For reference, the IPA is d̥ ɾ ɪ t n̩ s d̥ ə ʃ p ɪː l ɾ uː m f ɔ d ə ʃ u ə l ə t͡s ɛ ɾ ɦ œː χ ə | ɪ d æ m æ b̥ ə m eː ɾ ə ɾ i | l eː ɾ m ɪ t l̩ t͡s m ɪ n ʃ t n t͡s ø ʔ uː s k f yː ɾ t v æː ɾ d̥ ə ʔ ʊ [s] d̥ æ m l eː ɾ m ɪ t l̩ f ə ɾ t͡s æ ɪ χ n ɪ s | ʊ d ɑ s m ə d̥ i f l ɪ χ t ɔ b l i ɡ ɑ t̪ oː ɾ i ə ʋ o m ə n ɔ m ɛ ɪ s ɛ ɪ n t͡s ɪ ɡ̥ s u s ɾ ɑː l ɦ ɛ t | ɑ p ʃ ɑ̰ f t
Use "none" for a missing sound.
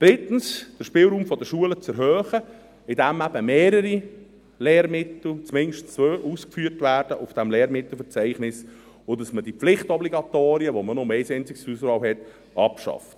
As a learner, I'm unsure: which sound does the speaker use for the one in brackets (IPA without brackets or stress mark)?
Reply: f